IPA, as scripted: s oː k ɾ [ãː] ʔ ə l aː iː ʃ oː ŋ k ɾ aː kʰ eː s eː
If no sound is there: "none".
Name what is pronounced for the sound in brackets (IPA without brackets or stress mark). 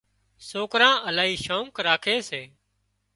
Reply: ãː